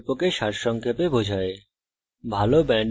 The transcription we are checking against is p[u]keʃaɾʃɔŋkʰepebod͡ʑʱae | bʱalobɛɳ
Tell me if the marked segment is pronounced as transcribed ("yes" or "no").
no